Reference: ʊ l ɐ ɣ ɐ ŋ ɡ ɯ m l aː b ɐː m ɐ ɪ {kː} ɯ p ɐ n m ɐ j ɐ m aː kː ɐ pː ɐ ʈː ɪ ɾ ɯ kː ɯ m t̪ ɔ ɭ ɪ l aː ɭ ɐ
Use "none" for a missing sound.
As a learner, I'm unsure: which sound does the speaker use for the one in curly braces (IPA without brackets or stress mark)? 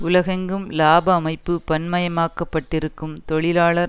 pː